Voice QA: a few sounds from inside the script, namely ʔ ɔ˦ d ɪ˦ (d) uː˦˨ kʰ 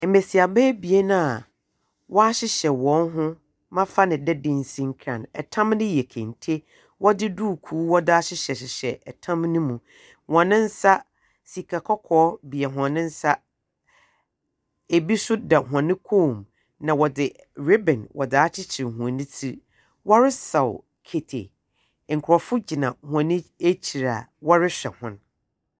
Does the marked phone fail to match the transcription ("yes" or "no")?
no